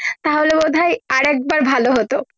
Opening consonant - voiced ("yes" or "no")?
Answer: no